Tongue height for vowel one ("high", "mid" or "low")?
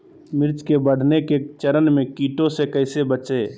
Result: high